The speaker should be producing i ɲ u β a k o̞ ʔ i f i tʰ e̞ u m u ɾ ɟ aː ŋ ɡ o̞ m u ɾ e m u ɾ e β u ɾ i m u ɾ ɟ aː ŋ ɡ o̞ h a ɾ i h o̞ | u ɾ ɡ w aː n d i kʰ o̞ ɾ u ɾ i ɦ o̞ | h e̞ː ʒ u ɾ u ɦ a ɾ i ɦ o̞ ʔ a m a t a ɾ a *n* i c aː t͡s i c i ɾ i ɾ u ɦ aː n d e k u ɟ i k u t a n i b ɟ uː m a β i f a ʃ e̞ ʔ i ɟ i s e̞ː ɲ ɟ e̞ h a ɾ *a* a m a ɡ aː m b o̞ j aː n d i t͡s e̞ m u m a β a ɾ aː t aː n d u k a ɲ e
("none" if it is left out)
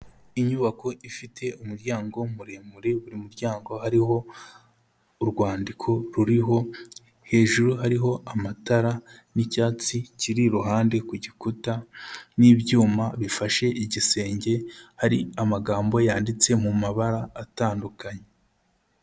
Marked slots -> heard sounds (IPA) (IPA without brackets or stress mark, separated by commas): n, i